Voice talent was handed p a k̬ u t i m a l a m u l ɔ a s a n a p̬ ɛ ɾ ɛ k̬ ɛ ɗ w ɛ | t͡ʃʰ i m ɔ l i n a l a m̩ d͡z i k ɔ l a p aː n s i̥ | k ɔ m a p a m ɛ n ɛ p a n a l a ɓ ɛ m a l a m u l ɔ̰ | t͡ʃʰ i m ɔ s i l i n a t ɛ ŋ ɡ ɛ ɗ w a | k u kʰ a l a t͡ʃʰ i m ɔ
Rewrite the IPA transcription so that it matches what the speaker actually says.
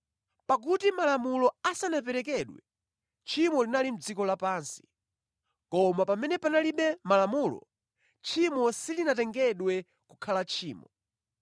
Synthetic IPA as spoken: p a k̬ u t i m a l a m u l ɔ a s a n a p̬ ɛ ɾ ɛ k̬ ɛ ɗ w ɛ | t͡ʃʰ i m ɔ l i n a l i m̩ d͡z i k ɔ l a p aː n s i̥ | k ɔ m a p a m ɛ n ɛ p a n a l i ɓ ɛ m a l a m u l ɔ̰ | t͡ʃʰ i m ɔ s i l i n a t ɛ ŋ ɡ ɛ ɗ w ɛ | k u kʰ a l a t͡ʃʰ iː m ɔ